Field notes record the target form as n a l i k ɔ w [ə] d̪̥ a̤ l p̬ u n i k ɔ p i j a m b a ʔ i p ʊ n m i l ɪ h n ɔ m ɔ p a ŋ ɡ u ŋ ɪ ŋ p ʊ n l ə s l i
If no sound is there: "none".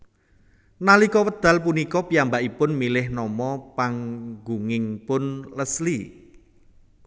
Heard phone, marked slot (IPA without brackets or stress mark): ə